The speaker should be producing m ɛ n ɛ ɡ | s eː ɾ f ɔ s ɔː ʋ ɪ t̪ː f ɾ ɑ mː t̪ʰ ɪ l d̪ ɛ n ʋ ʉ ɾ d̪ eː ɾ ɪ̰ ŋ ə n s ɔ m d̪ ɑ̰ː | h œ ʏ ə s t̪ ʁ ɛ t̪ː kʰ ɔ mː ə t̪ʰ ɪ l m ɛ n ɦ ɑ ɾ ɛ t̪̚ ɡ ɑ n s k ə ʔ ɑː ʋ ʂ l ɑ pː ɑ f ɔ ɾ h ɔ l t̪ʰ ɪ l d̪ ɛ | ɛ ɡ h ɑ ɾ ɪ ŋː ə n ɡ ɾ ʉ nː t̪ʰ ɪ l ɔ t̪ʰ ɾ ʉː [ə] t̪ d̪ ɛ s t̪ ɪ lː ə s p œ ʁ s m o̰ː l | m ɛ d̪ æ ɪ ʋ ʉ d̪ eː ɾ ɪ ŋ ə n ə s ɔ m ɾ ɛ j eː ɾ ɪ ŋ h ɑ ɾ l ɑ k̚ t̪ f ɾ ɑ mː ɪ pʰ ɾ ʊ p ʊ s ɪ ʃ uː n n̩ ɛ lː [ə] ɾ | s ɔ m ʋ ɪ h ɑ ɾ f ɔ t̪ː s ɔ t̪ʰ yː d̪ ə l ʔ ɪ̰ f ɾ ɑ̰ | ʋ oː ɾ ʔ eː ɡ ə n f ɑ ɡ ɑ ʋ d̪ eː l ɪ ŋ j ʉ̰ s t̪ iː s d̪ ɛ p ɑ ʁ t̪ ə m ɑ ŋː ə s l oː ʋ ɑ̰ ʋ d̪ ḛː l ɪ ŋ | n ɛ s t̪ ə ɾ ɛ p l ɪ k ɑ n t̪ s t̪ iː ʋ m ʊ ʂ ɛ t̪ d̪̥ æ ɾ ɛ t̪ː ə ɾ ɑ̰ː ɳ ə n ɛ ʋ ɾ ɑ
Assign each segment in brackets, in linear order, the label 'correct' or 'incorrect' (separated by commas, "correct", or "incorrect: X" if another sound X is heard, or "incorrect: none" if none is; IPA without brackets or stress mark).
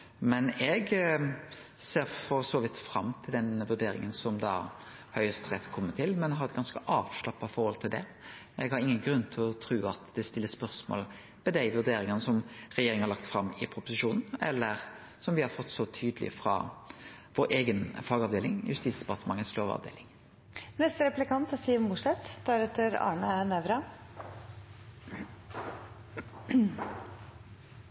incorrect: ɑ, correct